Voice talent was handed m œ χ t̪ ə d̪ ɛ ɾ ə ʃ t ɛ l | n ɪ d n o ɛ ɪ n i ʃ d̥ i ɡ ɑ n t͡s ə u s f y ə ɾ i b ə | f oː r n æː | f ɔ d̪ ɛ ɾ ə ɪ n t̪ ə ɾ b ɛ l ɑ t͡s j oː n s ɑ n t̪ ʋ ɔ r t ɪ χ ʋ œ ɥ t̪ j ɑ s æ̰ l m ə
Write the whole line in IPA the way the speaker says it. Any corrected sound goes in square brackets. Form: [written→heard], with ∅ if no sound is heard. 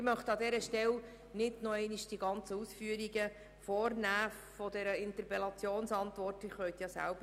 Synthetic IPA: m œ χ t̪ [ə→ɑ] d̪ ɛ ɾ ə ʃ t ɛ l | n ɪ d n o ɛ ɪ n i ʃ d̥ i ɡ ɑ n t͡s ə u s f y ə ɾ i [b→ɡ] ə | f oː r n æː | f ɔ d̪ ɛ ɾ ə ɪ n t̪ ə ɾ [b→p] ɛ l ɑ t͡s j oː n s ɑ n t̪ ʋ ɔ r t ɪ χ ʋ œ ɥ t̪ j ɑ s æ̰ l [m→b] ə

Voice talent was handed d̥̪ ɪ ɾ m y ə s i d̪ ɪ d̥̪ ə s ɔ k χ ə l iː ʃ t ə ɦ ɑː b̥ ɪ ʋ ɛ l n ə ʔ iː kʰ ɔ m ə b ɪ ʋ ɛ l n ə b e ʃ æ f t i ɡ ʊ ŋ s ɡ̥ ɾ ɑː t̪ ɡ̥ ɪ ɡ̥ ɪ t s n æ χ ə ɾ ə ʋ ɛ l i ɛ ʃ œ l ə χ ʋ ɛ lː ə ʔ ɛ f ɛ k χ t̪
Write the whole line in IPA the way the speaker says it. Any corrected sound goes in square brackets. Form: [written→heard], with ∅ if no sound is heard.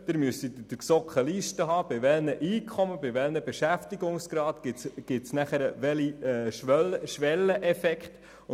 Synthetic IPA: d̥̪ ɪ ɾ m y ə s i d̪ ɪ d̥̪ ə s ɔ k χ ə l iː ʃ t ə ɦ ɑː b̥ ɪ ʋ ɛ l n ə ʔ iː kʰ ɔ m ə b ɪ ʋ ɛ l n ə b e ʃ æ f t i ɡ ʊ ŋ s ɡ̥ ɾ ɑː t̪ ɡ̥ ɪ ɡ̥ ɪ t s n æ χ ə ɾ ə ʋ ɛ l i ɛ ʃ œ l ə [χ→ʃ] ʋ ɛ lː ə ʔ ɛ f ɛ k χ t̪

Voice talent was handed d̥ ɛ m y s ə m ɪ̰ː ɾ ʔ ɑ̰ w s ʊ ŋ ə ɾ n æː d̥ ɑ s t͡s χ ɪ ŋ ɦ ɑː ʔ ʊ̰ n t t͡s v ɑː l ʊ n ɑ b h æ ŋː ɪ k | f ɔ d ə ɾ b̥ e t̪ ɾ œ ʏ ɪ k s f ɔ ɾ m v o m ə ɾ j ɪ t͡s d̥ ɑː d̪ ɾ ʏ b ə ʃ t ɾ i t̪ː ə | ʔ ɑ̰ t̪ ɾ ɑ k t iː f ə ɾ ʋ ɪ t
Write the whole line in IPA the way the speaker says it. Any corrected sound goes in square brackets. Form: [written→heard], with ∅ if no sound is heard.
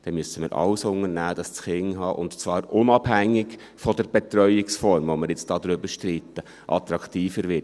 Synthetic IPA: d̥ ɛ m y s ə m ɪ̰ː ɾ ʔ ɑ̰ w s ʊ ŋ ə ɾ n æː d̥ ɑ s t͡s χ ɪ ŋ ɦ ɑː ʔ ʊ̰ n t t͡s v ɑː [l→ɾ] ʊ n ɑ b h æ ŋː ɪ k | f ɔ d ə ɾ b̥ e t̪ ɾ œ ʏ ɪ k s f ɔ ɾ m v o m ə ɾ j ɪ t͡s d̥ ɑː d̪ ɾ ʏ b ə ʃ t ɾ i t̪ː ə | ʔ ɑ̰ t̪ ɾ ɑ k t iː f ə ɾ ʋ ɪ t

